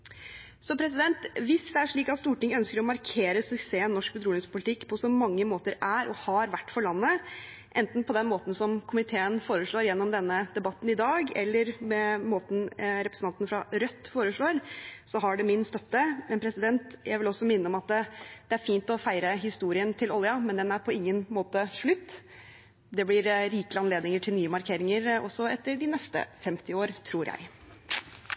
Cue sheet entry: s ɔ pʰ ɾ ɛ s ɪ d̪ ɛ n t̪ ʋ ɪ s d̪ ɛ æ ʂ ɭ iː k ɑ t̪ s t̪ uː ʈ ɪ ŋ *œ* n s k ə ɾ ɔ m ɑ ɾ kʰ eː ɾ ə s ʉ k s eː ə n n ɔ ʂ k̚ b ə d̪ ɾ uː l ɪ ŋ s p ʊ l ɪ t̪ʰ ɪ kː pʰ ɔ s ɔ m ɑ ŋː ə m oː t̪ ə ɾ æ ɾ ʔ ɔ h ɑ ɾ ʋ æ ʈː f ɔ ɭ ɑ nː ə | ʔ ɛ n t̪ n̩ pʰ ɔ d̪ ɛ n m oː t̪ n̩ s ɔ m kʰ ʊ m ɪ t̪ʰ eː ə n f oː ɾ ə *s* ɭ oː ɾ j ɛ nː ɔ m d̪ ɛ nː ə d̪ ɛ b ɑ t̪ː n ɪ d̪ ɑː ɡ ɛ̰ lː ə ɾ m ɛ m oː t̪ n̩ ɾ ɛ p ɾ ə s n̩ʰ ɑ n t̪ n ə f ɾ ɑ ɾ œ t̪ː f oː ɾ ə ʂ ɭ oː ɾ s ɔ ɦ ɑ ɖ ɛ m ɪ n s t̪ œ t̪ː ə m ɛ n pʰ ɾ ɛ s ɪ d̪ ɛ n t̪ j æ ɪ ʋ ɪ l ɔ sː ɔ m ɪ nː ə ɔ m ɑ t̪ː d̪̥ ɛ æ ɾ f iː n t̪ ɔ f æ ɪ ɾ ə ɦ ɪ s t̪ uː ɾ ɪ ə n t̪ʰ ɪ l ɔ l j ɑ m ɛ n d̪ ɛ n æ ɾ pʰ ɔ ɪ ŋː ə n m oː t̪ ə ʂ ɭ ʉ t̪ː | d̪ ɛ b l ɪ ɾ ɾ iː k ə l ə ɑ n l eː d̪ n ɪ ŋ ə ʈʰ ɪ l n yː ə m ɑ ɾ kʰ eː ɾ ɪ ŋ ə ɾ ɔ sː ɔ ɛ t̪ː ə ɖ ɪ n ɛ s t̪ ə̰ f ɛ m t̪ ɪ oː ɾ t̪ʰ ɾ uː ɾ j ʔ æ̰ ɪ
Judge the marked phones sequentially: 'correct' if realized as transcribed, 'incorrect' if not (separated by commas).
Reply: correct, incorrect